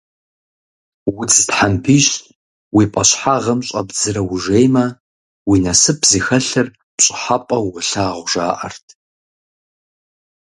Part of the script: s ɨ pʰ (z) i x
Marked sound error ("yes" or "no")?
no